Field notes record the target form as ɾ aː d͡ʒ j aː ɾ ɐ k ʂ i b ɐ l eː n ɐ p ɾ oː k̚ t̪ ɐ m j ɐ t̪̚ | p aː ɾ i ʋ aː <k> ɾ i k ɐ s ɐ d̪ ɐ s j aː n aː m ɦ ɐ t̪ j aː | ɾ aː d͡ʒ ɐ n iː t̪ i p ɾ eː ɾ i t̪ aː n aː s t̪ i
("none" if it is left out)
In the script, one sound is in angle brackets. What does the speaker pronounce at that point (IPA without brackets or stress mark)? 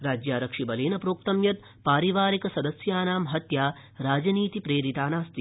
none